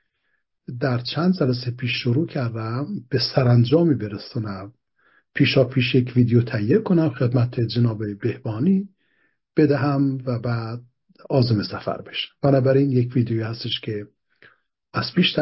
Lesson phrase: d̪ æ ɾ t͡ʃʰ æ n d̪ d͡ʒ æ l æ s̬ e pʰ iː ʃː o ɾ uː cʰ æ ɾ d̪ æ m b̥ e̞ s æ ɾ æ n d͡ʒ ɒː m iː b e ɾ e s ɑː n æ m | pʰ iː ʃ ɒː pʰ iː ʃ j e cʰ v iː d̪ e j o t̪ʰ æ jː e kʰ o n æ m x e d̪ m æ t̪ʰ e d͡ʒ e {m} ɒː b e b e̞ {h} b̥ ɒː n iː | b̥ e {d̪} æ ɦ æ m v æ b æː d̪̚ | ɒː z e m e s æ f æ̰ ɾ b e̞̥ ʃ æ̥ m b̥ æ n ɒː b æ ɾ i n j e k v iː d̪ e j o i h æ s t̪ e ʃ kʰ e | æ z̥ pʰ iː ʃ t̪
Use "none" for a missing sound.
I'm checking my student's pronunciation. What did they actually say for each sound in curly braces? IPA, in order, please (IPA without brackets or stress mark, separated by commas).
n, h, d̪